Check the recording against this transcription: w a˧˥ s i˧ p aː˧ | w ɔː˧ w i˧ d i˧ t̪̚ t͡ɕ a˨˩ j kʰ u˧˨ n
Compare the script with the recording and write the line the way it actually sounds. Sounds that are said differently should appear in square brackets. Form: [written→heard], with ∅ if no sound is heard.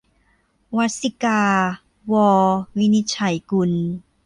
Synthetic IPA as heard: w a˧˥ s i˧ [p→k] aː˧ | w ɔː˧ w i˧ [d→n] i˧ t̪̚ [t͡ɕ→t͡ɕʰ] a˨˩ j [kʰ→k] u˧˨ n